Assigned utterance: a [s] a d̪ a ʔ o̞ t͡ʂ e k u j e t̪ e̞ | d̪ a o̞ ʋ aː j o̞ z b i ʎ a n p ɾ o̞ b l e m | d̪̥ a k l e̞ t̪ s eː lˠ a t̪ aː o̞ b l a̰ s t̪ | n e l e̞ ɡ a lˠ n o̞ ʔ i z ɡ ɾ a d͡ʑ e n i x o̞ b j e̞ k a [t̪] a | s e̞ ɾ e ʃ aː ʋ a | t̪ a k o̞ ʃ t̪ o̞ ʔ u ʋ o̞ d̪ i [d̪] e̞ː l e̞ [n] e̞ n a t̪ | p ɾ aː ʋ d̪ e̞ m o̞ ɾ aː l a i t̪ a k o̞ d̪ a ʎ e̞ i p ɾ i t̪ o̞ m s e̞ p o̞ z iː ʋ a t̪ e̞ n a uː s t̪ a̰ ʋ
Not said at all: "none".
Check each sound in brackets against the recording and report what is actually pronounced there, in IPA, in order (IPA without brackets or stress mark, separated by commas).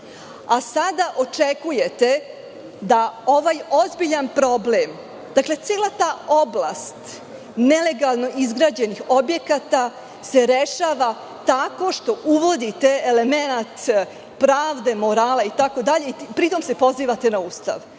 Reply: s, t̪, t̪, m